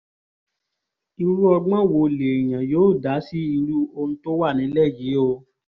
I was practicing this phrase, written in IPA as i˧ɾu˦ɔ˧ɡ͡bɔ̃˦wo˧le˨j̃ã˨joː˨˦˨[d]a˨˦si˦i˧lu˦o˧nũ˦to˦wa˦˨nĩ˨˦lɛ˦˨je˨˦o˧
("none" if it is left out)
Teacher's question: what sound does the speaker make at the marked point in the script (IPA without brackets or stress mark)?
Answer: d